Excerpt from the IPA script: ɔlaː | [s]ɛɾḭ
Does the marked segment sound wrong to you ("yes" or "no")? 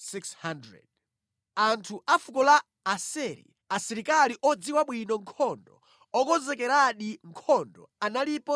no